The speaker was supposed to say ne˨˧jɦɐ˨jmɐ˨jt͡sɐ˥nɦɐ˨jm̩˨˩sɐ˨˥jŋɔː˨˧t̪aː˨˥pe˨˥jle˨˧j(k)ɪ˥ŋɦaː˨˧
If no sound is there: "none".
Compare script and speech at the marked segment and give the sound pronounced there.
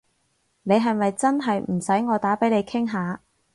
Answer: kʰ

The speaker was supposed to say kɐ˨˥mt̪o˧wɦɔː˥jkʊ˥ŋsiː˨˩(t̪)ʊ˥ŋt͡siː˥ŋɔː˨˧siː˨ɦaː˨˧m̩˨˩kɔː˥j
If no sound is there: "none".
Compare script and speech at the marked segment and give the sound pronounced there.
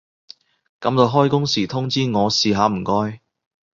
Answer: t̪ʰ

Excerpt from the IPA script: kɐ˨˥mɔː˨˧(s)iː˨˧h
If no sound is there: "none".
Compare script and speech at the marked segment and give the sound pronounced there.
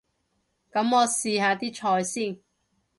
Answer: s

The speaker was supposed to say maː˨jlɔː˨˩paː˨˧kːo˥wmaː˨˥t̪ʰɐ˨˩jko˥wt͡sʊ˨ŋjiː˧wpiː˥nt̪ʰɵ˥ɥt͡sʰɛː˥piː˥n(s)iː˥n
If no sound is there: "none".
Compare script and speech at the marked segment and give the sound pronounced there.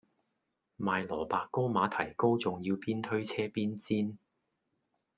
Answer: t͡s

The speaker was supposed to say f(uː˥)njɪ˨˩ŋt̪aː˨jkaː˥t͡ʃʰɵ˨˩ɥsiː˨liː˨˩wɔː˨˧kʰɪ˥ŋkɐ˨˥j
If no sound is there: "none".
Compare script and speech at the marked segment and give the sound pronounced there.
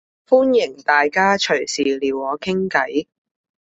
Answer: uː˥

